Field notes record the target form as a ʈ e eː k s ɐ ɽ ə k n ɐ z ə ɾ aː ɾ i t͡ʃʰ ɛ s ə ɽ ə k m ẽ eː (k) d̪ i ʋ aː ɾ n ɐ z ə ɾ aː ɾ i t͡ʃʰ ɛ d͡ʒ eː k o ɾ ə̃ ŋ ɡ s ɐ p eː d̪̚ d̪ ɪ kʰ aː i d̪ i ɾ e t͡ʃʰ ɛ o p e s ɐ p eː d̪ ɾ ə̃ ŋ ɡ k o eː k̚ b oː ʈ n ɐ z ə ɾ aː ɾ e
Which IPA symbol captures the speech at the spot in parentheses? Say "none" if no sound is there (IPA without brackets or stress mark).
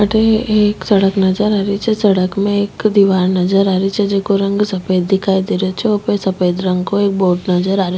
k